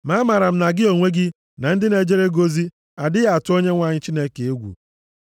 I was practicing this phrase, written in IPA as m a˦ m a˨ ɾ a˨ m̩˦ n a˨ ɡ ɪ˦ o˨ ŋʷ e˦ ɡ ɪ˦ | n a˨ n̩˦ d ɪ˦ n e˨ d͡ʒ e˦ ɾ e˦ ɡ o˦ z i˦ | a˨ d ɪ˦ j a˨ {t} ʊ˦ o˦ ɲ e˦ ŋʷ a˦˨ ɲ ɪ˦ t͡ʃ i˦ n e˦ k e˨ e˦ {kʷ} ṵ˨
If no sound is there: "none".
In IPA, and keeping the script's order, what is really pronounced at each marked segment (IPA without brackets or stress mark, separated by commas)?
t, ɡʷ